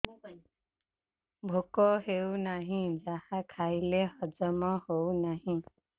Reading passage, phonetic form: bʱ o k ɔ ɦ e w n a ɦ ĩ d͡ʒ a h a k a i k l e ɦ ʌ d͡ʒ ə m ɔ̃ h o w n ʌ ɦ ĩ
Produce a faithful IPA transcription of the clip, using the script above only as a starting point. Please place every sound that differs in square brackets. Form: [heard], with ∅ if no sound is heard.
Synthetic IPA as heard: bʱ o k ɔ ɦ e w n a ɦ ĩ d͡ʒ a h a [kʰ] a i [∅] l e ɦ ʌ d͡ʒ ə m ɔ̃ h o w n [a] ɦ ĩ